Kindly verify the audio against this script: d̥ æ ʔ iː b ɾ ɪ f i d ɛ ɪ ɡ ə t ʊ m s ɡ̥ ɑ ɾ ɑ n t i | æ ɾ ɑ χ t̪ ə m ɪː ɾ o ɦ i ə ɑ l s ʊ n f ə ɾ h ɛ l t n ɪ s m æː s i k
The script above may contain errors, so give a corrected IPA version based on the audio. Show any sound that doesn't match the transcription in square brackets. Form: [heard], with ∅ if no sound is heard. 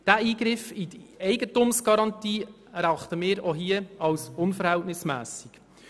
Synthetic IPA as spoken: d̥ æ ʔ iː [ɡ] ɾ ɪ f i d ɛ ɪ ɡ ə t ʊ m s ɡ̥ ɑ ɾ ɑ n t [iː] | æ ɾ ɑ χ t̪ ə m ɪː ɾ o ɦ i ə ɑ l s ʊ n f ə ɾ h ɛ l t n ɪ s m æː s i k